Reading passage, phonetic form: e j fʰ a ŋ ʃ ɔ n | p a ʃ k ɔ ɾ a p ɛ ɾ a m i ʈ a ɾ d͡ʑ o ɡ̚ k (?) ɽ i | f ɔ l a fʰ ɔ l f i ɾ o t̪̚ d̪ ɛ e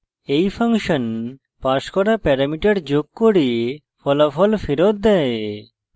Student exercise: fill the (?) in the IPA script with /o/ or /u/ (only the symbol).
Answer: o